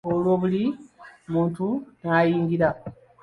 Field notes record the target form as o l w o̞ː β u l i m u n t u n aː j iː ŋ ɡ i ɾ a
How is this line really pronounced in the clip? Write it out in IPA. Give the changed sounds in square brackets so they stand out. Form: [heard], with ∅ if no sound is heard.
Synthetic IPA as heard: o l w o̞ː β u l i m [uː] n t u n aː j iː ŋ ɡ i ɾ a